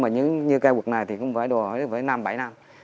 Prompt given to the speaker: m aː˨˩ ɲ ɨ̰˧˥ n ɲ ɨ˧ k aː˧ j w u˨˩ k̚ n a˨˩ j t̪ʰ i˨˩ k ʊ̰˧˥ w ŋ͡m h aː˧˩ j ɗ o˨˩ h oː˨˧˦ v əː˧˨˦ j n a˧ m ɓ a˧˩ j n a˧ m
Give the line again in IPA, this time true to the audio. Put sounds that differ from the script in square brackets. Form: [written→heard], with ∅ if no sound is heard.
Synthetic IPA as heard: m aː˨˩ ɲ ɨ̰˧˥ [n→ŋ] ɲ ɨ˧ k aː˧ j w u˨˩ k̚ n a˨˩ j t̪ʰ i˨˩ k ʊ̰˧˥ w ŋ͡m [h→f] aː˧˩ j ɗ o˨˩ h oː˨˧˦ v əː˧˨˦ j n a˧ m ɓ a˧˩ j n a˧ m